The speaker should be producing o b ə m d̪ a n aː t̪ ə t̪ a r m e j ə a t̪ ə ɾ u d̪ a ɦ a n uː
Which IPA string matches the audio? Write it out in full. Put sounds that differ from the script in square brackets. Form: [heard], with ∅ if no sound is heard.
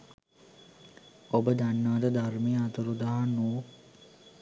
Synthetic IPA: o b ə [∅] d̪ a [nː] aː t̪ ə [d̪] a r m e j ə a t̪ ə ɾ u d̪ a ɦ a n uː